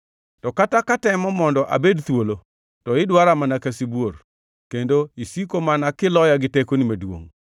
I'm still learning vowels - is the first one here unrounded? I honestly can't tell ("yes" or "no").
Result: no